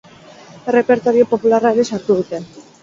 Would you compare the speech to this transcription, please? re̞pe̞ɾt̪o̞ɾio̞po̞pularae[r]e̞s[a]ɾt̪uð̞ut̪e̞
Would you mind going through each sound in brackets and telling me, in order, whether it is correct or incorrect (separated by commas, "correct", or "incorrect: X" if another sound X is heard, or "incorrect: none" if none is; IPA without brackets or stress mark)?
incorrect: ɾ, correct